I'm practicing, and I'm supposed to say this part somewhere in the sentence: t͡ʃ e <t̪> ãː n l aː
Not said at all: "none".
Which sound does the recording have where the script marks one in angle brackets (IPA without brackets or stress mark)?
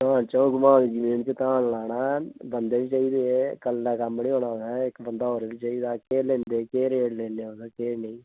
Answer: t̪